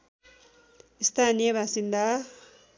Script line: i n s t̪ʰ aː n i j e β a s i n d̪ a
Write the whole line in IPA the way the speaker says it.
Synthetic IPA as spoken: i s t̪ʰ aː n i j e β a s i n d̪ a